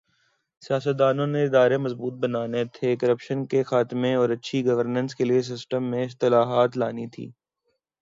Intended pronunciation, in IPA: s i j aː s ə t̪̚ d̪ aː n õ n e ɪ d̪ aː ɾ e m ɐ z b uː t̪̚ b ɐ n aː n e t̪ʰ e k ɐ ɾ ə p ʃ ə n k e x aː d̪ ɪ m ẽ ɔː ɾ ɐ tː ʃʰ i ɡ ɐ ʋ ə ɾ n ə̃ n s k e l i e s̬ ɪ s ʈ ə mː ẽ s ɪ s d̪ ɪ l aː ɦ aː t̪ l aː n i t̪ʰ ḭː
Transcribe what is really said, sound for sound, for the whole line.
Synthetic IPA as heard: s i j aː s ə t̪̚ d̪ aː n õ n e ɪ d̪ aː ɾ e m ɐ z b uː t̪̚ b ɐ n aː n e t̪ʰ e k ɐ ɾ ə p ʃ ə n k e x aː t̪ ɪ m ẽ ɔː ɾ ɐ tː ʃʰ i ɡ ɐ ʋ ə ɾ n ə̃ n s k e l i e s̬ ɪ s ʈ ə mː ẽ ɪ s t̪ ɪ l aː ɦ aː t̪ l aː n i t̪ʰ ḭː